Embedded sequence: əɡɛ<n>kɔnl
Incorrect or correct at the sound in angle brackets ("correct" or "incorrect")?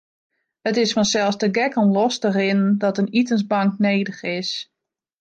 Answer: incorrect